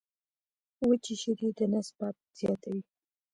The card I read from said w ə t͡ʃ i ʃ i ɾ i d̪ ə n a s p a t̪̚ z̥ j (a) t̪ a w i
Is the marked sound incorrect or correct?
incorrect